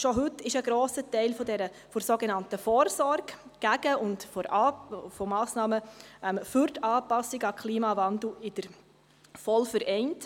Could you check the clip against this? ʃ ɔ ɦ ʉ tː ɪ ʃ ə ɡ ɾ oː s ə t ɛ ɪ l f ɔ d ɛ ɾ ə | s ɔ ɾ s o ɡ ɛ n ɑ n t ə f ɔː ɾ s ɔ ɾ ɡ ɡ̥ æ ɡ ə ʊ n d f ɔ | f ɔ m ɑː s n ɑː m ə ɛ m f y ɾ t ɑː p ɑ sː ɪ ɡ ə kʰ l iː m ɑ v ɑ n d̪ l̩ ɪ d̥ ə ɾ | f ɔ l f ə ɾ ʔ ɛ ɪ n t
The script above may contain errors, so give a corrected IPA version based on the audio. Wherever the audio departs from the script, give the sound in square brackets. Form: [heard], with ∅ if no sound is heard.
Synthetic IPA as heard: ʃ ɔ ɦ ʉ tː ɪ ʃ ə ɡ ɾ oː s ə t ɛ ɪ l f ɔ d ɛ ɾ ə | [f] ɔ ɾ s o ɡ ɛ n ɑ n t ə f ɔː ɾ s ɔ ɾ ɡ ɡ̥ æ ɡ ə ʊ n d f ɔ | f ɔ m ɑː s n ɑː m ə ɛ m f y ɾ t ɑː p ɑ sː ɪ ɡ [ɑ] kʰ l iː m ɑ v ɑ n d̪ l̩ ɪ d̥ ə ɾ | f ɔ l f ə ɾ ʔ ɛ ɪ n t